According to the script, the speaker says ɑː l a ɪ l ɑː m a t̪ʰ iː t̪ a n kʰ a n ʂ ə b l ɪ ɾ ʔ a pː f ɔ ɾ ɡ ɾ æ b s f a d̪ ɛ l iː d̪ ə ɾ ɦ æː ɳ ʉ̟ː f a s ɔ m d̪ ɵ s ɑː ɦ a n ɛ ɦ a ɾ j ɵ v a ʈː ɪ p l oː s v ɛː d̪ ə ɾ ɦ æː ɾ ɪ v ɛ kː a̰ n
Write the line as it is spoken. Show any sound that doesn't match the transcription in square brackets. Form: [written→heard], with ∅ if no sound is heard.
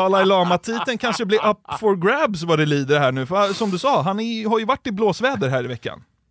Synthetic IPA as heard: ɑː l a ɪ l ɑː m a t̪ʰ iː t̪ [a→ə] n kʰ a n ʂ ə b l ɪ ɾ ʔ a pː f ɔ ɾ ɡ ɾ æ b s [f→v] a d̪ ɛ l iː d̪ ə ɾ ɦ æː ɳ ʉ̟ː f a s ɔ m d̪ ɵ s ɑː ɦ a n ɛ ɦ a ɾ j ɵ v a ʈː ɪ [p→b] l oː s v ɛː d̪ ə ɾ ɦ æː ɾ ɪ v ɛ kː a̰ n